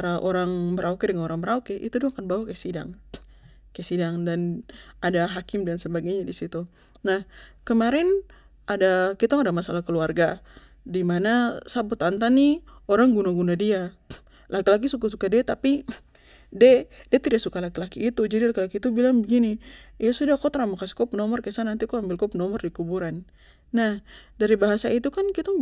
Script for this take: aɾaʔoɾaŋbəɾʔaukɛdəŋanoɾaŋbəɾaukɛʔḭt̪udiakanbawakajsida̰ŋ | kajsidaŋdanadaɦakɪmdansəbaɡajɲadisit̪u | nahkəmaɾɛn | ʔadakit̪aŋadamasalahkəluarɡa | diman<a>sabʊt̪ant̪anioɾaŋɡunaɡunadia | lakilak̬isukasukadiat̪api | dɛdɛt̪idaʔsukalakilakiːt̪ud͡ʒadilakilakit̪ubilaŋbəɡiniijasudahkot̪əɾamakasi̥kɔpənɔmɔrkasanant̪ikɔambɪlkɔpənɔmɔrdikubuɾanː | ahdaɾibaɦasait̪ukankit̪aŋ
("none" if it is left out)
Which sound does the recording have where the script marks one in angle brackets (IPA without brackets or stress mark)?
a